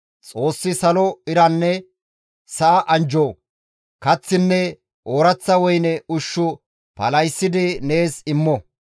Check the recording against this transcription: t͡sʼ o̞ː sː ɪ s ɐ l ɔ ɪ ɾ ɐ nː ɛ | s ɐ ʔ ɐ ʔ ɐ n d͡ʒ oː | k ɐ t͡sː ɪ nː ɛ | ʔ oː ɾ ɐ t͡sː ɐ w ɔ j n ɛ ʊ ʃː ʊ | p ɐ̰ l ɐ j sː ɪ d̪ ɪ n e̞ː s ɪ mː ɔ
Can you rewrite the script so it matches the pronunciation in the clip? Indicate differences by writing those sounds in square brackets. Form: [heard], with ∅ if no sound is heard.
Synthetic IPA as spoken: t͡sʼ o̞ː sː ɪ s ɐ l ɔ ɪ ɾ ɐ nː ɛ | s ɐ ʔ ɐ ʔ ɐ n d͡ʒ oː | k ɐ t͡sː ɪ nː ɛ | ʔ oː ɾ ɐ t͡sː ɐ w ɔ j n ɛ ʊ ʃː ʊ | p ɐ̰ l ɐ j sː ɪ d̪ ɪ n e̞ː s ɪ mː ɔ

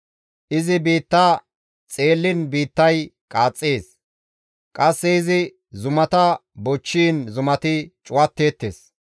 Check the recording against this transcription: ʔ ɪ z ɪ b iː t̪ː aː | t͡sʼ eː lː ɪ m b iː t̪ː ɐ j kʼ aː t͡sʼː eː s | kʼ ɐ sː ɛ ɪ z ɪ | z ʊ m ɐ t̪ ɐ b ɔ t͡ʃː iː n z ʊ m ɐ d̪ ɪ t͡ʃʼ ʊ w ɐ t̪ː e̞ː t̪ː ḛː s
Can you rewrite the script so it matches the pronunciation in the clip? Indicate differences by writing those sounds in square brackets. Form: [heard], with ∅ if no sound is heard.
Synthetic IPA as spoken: ʔ ɪ z ɪ b iː t̪ː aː | t͡sʼ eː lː ɪ [n] b iː t̪ː ɐ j kʼ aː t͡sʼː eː s | kʼ ɐ sː ɛ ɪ z ɪ | z ʊ m ɐ t̪ ɐ b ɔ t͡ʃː iː n z ʊ m ɐ [t̪] ɪ t͡ʃʼ ʊ w ɐ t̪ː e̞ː t̪ː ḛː s

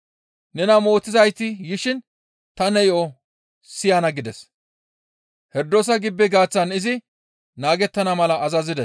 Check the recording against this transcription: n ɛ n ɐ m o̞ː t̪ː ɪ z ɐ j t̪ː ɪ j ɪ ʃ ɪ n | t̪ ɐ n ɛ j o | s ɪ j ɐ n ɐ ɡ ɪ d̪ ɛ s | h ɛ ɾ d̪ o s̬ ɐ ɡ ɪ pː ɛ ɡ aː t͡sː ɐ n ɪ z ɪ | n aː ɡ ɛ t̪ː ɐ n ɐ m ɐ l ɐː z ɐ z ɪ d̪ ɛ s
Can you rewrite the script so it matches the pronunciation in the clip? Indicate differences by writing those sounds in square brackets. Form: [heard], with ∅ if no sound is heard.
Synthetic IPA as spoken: n ɛ n ɐ m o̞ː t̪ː ɪ z ɐ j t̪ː ɪ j ɪ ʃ ɪ n | t̪ ɐ n ɛ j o | s ɪ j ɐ n ɐ ɡ ɪ d̪ ɛ s | h ɛ ɾ d̪ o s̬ ɐ ɡ ɪ [bː] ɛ ɡ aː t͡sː ɐ n ɪ z ɪ | n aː ɡ ɛ t̪ː ɐ n ɐ m ɐ l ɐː z ɐ z ɪ d̪ ɛ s

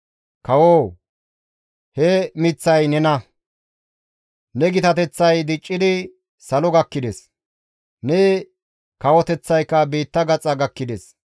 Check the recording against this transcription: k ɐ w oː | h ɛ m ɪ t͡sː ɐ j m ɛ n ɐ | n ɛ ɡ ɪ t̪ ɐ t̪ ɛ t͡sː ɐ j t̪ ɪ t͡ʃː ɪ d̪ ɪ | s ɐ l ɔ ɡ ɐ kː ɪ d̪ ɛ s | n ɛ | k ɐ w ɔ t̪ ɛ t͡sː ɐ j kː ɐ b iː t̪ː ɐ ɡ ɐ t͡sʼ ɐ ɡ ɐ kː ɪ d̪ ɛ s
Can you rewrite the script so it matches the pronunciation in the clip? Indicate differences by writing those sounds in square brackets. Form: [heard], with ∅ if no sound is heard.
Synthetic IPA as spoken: k ɐ w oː | h ɛ m ɪ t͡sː ɐ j [n] ɛ n ɐ | n ɛ ɡ ɪ t̪ ɐ t̪ ɛ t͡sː ɐ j [d̪] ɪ [t͡ʃʼː] ɪ d̪ ɪ | s ɐ l ɔ ɡ ɐ kː ɪ d̪ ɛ s | n ɛ | k ɐ w ɔ t̪ ɛ t͡sː ɐ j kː ɐ b iː t̪ː ɐ ɡ ɐ t͡sʼ ɐ ɡ ɐ kː ɪ d̪ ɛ s

